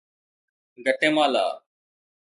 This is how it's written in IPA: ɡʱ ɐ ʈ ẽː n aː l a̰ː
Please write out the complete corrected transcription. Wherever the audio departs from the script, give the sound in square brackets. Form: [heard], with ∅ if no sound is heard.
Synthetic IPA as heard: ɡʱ [ə] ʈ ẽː [m] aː l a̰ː